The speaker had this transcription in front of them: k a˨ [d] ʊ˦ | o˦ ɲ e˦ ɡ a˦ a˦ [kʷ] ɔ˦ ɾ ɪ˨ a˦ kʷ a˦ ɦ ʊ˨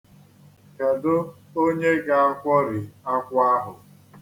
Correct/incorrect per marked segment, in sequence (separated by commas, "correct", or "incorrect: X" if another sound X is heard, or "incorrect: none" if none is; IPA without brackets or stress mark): correct, correct